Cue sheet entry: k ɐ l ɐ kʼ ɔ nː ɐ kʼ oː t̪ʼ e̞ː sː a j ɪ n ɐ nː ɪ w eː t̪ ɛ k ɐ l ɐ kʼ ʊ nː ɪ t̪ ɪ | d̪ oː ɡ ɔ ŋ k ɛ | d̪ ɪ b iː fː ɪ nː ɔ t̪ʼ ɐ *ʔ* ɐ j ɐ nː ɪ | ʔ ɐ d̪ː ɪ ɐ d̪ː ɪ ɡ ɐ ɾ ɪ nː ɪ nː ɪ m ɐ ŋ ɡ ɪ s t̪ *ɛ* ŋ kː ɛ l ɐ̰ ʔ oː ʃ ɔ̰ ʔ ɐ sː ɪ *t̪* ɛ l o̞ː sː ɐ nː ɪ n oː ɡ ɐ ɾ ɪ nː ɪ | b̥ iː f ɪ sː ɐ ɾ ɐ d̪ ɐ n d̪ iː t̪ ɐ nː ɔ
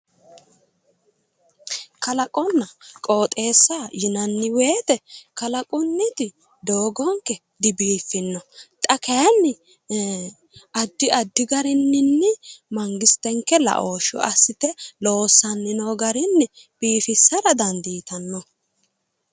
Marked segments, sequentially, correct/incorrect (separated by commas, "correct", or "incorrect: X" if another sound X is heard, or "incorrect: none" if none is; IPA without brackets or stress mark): incorrect: k, correct, correct